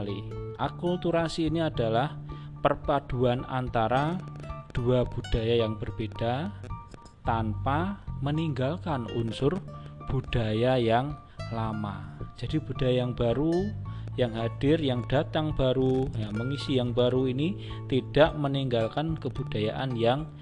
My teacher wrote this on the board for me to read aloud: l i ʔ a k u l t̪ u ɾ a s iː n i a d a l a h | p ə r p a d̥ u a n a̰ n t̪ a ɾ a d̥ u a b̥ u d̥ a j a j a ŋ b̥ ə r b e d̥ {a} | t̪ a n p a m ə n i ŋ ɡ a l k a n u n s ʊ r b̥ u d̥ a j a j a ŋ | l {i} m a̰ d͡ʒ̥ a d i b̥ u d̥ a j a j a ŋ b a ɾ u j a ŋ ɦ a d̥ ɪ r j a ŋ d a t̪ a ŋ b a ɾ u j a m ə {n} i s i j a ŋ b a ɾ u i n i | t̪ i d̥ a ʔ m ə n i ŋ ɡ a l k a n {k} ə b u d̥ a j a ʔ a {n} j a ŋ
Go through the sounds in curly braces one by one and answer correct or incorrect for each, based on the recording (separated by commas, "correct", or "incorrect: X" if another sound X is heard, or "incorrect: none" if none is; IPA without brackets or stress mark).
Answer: correct, incorrect: a, incorrect: ŋ, correct, correct